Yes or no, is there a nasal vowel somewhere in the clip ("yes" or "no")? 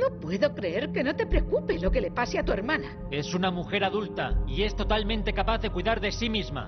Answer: yes